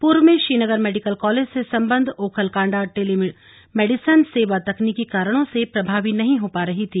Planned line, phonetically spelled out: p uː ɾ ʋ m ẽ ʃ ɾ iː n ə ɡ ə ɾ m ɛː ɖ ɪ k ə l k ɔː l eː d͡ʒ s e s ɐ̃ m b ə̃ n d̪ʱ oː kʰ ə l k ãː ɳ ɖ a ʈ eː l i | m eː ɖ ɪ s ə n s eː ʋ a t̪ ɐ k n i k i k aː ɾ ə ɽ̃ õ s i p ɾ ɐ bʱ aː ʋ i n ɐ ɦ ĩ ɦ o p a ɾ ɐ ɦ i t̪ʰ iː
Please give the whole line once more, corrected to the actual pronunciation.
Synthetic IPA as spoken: p uː ɾ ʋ m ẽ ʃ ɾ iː n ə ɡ ə ɾ m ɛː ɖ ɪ k ə l k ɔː l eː d͡ʒ s e s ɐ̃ m b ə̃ n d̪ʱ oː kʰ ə l k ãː ɳ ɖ a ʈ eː l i | m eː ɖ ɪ s ə n s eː ʋ a t̪ ɐ k n i k i k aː ɾ ə ɽ̃ õ s e p ɾ ɐ bʱ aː ʋ i n ɐ ɦ ĩ ɦ o p a ɾ ɐ ɦ i t̪ʰ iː